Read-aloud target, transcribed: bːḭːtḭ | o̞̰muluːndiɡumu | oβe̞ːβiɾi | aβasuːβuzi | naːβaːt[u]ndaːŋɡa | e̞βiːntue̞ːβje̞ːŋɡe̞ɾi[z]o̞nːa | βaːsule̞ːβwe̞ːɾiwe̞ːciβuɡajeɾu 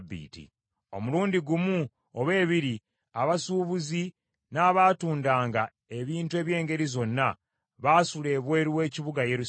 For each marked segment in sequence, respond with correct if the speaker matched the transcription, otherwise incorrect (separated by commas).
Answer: incorrect, correct